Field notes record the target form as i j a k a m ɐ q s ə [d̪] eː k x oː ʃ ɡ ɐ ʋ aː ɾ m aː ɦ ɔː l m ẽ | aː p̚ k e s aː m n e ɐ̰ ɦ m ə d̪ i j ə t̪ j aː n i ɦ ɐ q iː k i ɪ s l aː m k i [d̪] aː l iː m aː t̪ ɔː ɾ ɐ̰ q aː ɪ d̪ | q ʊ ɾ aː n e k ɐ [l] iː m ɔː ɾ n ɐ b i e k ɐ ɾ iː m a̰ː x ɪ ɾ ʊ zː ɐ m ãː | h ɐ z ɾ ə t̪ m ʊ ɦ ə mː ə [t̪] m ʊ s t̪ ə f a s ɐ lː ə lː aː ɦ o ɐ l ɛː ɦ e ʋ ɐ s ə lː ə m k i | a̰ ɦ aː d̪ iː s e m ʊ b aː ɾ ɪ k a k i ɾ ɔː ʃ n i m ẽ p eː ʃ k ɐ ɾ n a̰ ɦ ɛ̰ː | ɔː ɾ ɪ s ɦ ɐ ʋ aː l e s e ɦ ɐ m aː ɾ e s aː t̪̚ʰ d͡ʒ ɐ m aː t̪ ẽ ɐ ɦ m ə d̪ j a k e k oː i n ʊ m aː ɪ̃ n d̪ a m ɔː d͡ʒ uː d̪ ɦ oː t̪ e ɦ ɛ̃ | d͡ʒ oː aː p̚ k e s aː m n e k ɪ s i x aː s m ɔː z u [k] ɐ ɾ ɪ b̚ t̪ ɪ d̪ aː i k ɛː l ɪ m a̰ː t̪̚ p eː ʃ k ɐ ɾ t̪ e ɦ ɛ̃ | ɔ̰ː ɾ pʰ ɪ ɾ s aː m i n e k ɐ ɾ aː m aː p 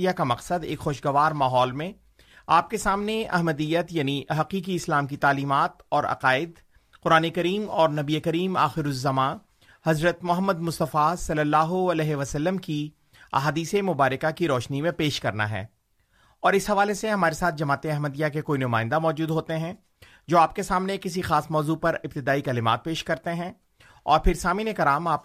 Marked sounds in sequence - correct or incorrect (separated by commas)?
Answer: correct, incorrect, incorrect, incorrect, incorrect